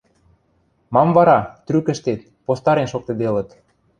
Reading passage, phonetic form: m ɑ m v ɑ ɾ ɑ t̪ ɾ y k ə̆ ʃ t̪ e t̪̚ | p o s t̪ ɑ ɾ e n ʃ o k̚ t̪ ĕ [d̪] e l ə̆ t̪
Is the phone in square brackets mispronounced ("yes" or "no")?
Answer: no